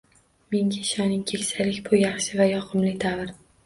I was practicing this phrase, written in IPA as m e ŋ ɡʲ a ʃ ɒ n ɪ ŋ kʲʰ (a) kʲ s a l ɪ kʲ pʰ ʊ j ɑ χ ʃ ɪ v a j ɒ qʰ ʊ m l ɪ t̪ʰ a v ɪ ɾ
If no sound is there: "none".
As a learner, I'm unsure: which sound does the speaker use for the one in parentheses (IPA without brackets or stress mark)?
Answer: e